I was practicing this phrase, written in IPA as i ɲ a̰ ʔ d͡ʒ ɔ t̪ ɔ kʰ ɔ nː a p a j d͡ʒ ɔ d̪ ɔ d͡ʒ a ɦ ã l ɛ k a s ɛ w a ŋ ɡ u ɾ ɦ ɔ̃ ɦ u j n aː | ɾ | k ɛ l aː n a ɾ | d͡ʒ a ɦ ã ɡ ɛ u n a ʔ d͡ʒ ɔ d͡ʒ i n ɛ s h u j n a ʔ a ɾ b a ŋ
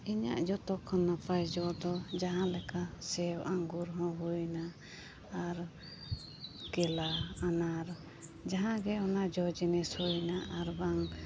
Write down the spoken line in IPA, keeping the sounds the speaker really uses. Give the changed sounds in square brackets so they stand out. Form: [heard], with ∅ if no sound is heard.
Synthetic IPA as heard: i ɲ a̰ ʔ d͡ʒ ɔ t̪ ɔ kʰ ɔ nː a p a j d͡ʒ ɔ d̪ ɔ d͡ʒ a ɦ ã l ɛ k a s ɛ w a ŋ ɡ u ɾ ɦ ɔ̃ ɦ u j n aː | ɾ | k ɛ l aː n a ɾ | d͡ʒ a ɦ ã ɡ ɛ [ɔ] n a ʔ d͡ʒ ɔ d͡ʒ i n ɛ s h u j n a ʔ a ɾ b a ŋ